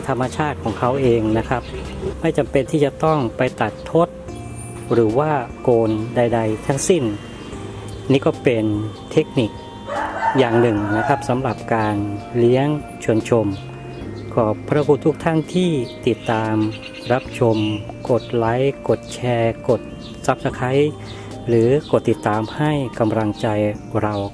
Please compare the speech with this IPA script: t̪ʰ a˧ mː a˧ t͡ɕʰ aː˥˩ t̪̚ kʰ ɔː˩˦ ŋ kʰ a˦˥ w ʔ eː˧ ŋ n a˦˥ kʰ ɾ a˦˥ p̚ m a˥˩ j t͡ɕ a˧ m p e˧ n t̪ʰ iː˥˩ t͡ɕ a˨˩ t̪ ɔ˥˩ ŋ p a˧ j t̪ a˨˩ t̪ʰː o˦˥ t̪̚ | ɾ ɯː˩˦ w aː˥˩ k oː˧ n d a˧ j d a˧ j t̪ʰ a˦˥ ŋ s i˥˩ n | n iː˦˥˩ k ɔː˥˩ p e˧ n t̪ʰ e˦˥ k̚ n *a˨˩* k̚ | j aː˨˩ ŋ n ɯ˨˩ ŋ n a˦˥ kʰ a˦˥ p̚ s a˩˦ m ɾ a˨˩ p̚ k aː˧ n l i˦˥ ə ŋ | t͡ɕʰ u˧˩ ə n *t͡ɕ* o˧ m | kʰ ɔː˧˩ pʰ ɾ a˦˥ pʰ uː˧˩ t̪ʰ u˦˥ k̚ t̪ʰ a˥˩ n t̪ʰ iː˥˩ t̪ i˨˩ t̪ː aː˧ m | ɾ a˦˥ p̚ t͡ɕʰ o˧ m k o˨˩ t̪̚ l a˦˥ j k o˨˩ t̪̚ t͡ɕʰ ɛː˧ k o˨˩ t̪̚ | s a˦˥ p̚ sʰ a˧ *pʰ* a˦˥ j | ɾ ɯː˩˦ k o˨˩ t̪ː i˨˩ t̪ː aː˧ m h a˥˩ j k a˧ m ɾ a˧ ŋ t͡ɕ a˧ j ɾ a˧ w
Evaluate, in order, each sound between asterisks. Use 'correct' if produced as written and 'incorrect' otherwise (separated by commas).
incorrect, incorrect, incorrect